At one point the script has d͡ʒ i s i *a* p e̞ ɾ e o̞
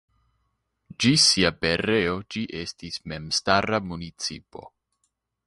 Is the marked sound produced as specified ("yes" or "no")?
yes